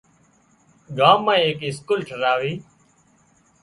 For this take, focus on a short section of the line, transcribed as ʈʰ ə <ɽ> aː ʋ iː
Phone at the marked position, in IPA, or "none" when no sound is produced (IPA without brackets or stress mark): ɾ